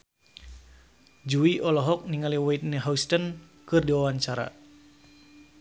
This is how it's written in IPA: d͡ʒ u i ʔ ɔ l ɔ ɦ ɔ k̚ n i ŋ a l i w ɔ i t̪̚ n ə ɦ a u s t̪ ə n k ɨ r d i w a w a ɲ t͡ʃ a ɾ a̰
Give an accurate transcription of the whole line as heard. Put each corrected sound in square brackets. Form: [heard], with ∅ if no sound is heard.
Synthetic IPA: d͡ʒ u i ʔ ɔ l ɔ ɦ ɔ k̚ n i ŋ a l i w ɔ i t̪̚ n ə ɦ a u s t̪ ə n k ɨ r d i w a w a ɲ t͡ʃ a ɾ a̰